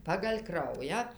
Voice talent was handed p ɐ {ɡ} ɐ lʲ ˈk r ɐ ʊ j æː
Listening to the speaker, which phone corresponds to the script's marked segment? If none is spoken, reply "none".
ɡ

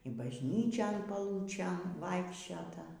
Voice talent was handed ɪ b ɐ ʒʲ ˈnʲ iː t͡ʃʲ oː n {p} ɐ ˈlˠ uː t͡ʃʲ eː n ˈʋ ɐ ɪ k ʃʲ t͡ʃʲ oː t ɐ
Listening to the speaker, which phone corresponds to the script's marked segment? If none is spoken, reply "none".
p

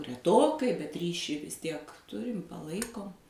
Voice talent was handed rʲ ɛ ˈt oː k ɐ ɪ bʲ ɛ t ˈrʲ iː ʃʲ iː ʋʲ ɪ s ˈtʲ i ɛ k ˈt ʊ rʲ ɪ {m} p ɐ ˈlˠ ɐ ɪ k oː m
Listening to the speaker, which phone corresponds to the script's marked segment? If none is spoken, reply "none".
m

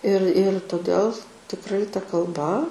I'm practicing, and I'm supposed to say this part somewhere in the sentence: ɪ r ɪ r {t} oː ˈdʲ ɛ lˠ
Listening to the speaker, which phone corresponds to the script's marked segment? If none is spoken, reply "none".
t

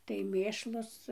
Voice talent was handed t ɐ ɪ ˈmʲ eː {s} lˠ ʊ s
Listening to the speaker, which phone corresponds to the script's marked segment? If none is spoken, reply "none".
ʃ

